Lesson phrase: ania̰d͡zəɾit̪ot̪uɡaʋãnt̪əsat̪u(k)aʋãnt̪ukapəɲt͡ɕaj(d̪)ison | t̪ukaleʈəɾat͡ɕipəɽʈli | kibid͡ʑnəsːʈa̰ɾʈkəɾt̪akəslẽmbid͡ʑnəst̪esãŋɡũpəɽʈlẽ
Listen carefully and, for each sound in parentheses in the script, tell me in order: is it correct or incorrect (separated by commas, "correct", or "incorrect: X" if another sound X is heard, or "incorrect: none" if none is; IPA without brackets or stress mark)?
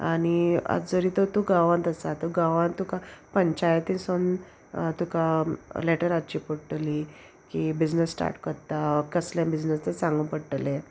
incorrect: ɡ, incorrect: t̪